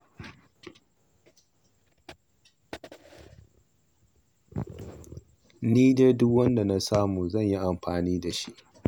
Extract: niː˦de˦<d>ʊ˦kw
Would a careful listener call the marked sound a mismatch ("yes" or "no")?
no